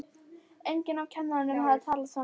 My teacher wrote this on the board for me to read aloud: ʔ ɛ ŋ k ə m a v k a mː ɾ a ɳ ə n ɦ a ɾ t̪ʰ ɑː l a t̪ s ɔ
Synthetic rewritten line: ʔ ɛ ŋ k ə n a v kʰ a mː ɾ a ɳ ə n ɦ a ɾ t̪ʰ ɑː l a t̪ s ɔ